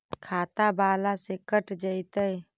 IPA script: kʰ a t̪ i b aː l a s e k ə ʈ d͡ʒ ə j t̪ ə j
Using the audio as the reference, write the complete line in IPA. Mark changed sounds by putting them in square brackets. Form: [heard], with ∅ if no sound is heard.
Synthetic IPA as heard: kʰ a t̪ [a] b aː l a s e k ə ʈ d͡ʒ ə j t̪ ə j